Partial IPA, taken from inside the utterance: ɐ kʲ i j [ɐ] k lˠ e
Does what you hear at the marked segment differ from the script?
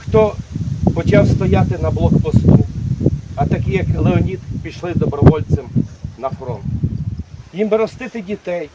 no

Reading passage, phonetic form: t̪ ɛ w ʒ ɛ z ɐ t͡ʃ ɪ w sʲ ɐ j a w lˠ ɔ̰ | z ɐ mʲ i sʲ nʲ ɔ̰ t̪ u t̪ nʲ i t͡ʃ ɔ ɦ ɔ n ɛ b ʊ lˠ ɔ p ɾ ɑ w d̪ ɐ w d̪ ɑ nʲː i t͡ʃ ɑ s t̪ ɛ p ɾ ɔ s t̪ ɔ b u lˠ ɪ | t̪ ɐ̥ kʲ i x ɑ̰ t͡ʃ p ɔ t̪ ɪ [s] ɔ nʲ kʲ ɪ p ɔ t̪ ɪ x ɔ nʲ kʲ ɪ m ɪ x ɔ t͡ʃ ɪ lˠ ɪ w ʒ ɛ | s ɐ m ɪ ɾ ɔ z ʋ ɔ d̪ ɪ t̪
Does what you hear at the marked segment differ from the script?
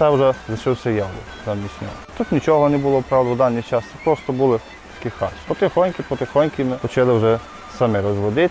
yes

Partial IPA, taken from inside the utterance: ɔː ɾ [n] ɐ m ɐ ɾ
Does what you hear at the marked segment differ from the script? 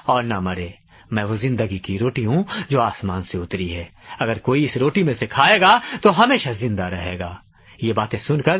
no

